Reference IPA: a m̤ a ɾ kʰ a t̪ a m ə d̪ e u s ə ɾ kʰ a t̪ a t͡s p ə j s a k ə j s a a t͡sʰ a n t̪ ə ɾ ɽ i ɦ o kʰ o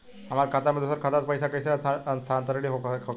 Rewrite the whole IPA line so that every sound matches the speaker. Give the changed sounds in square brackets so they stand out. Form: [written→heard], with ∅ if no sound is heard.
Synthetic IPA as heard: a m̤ a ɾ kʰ a t̪ a m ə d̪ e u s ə ɾ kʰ a t̪ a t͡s p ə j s a k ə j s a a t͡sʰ a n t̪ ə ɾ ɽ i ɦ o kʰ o